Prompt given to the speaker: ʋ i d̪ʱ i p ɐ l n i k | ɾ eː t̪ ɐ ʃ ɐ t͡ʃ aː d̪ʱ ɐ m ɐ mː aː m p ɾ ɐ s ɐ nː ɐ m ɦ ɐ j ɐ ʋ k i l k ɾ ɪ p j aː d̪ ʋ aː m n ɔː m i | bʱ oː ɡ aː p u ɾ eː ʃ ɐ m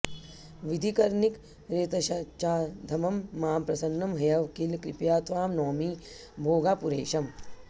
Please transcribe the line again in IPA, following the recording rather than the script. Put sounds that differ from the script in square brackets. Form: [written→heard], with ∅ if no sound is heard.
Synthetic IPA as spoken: ʋ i d̪ʱ i [p→k] ɐ [l→ɾ] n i k | ɾ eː t̪ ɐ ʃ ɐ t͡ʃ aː d̪ʱ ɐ m ɐ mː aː m p ɾ ɐ s ɐ nː ɐ m ɦ ɐ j ɐ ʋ k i l k ɾ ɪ p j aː [d̪→t̪] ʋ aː m n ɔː m i | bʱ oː ɡ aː p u ɾ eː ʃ ɐ m